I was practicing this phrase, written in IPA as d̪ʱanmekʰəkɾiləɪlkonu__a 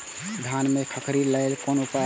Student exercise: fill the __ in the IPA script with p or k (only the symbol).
p